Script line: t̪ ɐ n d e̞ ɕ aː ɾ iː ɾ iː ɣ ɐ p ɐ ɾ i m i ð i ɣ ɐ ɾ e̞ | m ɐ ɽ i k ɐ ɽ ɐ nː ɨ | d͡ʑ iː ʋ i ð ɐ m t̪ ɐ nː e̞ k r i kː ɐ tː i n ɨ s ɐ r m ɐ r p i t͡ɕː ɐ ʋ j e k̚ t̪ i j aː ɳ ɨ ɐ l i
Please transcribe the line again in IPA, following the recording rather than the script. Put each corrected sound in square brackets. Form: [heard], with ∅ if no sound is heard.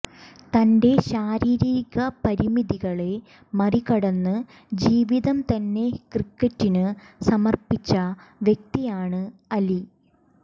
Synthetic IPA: t̪ ɐ n d e̞ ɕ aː ɾ iː ɾ iː ɣ ɐ p ɐ ɾ i m i ð i ɣ ɐ [ɭ] e̞ | m ɐ [r] i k ɐ ɽ ɐ nː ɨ | d͡ʑ iː ʋ i ð ɐ m t̪ ɐ nː e̞ k r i kː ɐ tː i n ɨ s ɐ [∅] m ɐ r p i t͡ɕː ɐ ʋ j e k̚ t̪ i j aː ɳ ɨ ɐ l i